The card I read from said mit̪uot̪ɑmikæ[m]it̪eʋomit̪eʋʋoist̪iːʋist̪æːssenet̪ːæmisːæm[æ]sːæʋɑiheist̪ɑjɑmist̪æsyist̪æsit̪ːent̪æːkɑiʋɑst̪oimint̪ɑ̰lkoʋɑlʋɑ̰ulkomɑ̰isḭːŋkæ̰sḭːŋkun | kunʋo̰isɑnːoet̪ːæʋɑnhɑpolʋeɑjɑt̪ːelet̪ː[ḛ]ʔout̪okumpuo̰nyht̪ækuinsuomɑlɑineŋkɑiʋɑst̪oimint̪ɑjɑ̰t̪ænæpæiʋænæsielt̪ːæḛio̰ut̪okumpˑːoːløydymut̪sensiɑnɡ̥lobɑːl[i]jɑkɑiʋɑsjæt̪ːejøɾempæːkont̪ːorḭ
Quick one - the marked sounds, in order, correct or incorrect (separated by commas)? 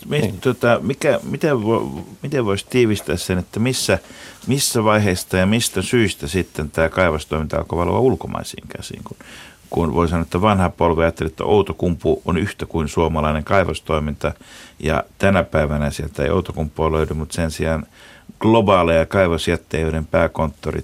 correct, incorrect, incorrect, incorrect